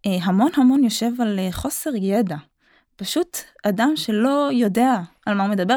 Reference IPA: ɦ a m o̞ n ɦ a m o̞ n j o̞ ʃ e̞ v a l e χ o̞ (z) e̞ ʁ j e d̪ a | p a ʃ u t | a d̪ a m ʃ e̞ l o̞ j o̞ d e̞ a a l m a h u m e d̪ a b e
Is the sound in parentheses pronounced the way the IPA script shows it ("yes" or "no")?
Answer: no